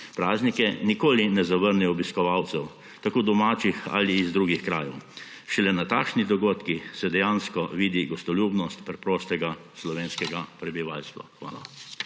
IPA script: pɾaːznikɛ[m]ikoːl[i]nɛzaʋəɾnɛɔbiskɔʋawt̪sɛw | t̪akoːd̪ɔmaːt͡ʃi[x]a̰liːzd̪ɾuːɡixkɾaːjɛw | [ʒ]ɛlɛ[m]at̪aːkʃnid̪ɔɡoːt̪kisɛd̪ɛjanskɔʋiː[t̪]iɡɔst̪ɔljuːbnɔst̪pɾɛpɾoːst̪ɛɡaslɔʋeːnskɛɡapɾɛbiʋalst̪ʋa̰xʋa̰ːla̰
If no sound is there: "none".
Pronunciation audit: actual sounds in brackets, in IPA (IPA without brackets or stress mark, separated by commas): n, i, x, ʃ, n, d̪